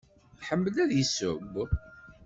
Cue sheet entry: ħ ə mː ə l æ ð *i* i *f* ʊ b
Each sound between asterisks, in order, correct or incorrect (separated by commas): incorrect, incorrect